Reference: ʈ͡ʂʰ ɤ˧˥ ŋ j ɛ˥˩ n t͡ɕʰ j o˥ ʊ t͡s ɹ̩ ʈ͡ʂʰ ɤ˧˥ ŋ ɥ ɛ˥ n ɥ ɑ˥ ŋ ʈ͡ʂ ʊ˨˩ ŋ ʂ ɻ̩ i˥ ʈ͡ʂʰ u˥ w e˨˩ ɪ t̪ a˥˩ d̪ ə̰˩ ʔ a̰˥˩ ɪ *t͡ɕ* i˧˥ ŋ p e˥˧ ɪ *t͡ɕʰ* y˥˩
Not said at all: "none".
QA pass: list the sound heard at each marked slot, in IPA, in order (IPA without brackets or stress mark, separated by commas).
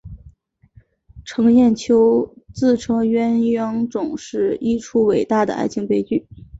t͡ɕʰ, t͡ɕ